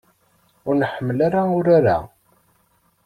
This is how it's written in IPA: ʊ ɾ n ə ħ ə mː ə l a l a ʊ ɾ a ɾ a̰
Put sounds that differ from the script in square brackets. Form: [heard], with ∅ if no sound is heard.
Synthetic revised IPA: ʊ ɾ n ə ħ ə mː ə l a [ɾ] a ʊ ɾ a ɾ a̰